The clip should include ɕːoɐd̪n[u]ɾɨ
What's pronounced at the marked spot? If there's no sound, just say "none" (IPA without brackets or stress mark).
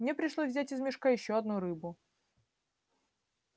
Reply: u